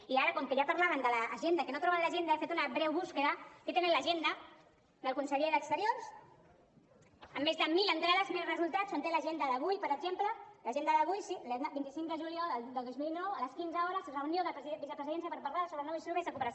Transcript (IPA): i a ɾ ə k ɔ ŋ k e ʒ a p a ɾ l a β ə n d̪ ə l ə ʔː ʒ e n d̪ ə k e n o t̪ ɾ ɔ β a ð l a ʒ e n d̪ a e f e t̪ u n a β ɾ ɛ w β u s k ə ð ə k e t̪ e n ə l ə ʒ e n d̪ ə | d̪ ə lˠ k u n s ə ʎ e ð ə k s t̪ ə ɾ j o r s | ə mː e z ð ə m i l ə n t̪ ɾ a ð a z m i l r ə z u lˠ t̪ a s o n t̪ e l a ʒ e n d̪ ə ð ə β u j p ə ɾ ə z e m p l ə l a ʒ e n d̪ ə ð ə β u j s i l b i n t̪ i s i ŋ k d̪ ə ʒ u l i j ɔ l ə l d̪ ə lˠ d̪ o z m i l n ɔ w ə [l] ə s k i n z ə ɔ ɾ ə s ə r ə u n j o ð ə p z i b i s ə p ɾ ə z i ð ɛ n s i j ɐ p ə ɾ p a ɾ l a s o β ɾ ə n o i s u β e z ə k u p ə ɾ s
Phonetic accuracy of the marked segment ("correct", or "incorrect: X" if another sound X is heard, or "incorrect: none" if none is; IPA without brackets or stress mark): correct